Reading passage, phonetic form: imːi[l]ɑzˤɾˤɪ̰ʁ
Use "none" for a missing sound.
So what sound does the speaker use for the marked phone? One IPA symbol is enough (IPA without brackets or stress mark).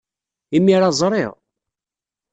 ɾ